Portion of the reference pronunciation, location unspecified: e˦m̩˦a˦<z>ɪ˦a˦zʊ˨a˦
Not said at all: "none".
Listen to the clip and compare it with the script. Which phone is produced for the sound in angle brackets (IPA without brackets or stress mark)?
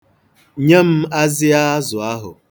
z